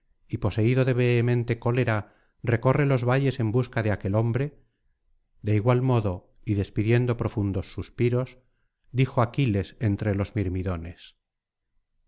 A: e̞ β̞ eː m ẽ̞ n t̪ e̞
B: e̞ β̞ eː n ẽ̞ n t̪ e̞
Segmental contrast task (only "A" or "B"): A